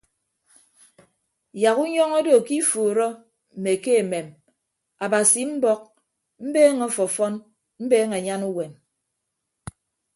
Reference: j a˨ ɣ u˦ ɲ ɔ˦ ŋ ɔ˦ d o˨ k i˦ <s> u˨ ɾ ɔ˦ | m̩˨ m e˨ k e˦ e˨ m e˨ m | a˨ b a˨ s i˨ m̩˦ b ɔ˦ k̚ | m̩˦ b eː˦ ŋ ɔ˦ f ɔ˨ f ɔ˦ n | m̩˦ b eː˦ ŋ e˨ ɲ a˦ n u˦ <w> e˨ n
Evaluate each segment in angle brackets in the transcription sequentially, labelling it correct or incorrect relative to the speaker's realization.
incorrect, correct

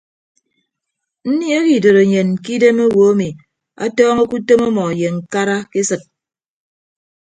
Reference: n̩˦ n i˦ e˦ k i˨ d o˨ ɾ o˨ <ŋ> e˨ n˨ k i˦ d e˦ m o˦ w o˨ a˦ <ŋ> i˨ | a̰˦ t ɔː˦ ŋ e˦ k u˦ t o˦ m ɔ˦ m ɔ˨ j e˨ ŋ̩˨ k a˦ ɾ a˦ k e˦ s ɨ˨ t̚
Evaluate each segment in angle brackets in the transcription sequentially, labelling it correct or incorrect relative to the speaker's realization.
incorrect, incorrect

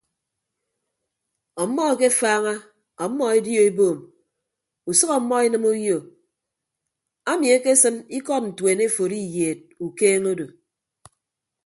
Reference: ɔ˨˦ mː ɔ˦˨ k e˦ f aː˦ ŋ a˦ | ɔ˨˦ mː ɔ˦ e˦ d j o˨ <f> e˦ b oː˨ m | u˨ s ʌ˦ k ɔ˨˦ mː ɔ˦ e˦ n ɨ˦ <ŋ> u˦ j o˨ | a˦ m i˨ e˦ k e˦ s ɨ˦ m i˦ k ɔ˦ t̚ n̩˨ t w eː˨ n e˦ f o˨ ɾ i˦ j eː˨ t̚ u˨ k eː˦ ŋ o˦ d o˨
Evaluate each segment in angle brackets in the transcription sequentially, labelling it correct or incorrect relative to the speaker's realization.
incorrect, incorrect

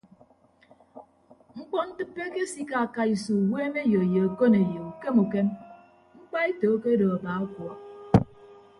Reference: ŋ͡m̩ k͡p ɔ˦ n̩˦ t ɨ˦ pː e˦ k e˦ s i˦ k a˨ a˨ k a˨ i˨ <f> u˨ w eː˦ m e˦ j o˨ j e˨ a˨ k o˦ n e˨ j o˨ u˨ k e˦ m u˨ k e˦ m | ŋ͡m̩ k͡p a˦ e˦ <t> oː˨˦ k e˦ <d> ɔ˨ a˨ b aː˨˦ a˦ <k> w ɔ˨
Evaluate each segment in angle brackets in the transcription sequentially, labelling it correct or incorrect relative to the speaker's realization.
incorrect, correct, correct, correct

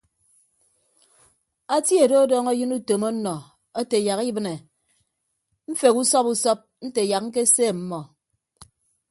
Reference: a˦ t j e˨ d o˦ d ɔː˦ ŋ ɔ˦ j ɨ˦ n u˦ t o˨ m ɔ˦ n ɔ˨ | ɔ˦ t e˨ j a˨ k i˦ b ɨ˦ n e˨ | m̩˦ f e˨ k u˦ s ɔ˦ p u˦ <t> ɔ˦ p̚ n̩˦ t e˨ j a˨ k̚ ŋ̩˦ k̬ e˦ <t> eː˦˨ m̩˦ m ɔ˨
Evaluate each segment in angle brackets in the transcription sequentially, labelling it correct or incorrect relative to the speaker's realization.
incorrect, incorrect

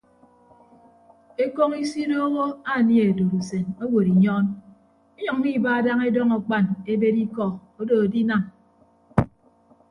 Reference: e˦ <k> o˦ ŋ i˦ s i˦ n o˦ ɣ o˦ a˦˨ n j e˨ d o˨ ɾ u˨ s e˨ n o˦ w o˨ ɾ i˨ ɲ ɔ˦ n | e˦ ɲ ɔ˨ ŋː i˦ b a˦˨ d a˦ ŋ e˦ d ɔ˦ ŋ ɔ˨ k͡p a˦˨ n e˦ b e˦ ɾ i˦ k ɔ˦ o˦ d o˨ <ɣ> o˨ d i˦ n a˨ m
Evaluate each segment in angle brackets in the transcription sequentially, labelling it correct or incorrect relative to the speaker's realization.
correct, incorrect

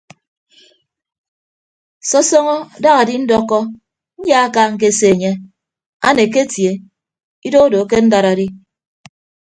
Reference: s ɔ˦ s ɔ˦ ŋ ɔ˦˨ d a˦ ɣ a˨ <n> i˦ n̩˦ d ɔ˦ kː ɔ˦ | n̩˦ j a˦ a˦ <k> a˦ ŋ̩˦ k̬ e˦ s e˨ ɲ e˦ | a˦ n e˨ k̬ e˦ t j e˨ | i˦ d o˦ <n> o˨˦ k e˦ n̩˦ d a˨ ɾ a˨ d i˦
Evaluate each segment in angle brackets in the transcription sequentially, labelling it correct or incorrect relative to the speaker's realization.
incorrect, correct, incorrect

